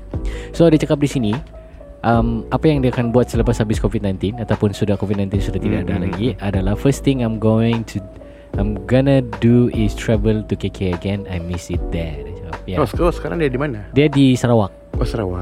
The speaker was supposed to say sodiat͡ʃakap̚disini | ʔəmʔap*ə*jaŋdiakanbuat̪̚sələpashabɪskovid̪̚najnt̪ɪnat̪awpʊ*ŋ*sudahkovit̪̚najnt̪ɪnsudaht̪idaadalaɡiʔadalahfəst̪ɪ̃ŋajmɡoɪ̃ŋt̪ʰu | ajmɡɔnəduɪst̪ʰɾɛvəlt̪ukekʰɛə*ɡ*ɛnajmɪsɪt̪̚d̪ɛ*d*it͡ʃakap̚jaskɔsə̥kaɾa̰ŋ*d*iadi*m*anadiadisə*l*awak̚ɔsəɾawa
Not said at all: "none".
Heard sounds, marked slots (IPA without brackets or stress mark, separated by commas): a, n, ɡ, d, d, m, ɾ